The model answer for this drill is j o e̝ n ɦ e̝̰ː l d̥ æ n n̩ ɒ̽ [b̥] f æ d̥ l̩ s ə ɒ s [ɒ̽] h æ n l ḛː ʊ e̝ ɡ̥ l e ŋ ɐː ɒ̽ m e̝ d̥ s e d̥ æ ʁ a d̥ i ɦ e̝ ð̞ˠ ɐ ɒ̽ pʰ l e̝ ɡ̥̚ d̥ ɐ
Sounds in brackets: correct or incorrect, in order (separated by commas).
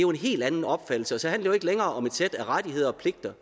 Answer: correct, correct